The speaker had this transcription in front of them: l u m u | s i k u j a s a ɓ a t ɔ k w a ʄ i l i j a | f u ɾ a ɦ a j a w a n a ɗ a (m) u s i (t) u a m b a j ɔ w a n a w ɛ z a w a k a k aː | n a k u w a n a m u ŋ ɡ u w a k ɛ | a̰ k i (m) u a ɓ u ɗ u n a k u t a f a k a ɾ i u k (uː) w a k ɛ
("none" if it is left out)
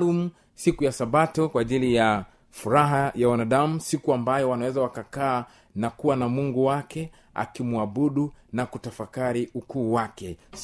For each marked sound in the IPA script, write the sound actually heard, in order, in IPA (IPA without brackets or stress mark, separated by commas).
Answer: m, k, m, uː